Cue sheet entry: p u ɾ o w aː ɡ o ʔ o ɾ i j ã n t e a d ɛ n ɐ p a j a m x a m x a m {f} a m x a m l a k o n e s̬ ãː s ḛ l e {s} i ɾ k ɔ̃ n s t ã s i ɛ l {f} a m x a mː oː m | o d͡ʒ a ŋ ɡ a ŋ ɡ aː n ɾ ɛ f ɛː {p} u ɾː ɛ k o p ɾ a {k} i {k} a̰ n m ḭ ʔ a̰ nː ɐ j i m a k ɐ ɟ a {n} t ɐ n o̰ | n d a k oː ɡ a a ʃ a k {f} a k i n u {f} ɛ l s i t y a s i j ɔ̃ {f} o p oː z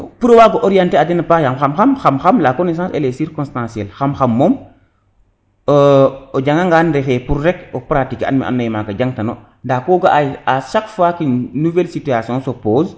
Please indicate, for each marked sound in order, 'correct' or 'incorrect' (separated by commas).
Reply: incorrect, correct, incorrect, correct, incorrect, correct, incorrect, correct, incorrect, incorrect